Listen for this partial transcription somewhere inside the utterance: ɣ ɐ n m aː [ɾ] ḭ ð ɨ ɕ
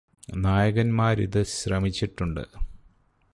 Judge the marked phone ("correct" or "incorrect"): correct